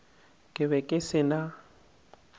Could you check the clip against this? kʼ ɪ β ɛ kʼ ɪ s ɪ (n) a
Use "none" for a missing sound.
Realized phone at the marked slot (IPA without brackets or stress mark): n